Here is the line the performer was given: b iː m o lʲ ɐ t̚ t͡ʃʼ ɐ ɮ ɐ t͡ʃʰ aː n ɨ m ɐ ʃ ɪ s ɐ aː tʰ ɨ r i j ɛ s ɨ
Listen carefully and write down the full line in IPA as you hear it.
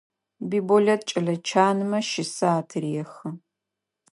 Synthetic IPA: b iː b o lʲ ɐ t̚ t͡ʃʼ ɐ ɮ ɐ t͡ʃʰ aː n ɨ m ɐ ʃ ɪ s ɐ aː tʰ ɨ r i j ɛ x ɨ